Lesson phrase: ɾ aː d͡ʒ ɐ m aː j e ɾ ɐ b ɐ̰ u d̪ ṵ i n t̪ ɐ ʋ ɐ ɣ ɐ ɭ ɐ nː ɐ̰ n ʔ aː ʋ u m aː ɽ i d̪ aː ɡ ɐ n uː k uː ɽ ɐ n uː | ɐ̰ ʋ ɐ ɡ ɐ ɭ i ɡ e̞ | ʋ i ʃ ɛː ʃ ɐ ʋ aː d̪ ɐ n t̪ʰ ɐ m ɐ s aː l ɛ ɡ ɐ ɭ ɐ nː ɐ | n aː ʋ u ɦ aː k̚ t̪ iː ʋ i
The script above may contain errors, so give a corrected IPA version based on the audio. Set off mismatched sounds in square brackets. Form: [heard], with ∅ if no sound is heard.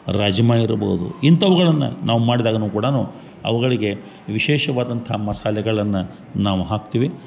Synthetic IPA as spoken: ɾ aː d͡ʒ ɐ m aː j [i] ɾ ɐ b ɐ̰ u d̪ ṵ i n t̪ ɐ ʋ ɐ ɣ ɐ ɭ ɐ nː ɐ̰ n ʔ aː ʋ u m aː ɽ i d̪ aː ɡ ɐ n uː k uː ɽ ɐ n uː | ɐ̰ ʋ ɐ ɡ ɐ ɭ i ɡ e̞ | ʋ i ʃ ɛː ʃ ɐ ʋ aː d̪ ɐ n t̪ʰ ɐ m ɐ s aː l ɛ ɡ ɐ ɭ ɐ nː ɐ | n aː ʋ u ɦ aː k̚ t̪ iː ʋ i